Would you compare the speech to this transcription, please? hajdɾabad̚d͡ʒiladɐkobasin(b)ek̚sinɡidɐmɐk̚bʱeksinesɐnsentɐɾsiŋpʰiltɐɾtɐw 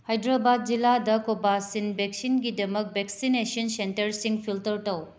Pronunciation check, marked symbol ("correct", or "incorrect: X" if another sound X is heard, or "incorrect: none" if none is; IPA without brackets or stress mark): correct